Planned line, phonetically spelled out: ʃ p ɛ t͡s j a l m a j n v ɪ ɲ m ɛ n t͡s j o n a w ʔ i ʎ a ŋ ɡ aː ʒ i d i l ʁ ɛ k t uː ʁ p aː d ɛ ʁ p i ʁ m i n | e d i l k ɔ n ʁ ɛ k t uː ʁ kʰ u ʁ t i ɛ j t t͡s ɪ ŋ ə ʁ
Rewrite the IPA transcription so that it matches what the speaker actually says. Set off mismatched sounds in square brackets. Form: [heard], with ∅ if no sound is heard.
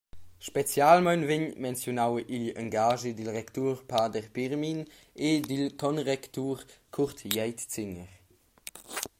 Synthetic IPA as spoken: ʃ p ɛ t͡s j a l m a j n v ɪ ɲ m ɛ n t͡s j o n a w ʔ i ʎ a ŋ ɡ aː ʒ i d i l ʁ ɛ k t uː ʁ p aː d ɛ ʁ p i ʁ m i n | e d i l k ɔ n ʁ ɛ k t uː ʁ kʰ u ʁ t [j] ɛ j t t͡s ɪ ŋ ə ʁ